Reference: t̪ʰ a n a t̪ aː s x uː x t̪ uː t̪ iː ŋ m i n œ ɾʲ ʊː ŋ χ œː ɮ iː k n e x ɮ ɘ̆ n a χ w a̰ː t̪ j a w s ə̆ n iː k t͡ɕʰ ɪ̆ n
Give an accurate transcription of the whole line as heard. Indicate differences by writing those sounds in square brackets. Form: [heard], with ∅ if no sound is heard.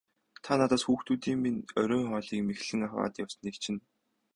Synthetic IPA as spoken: t̪ʰ a n a t̪ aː s x uː x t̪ uː t̪ iː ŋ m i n œ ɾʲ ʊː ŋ χ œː ɮ iː k [m] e x ɮ ɘ̆ [ŋ] a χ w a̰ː t̪ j a w s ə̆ n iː k t͡ɕʰ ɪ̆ n